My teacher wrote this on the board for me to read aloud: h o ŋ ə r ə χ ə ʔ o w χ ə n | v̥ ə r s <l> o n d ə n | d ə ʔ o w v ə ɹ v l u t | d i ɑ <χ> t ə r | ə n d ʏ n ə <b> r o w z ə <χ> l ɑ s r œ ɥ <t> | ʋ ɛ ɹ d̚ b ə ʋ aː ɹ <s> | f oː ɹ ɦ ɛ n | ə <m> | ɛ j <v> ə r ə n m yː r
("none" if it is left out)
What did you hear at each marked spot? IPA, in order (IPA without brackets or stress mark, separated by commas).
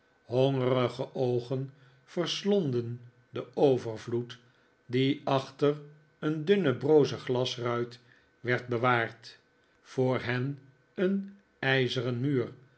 l, χ, b, χ, t, t, n, z